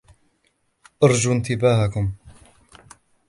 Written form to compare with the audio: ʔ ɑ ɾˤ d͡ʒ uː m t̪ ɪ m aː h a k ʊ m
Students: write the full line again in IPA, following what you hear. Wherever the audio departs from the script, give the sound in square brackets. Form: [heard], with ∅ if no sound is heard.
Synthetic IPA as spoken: ʔ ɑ ɾˤ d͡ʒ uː [n] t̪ ɪ [b] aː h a k ʊ m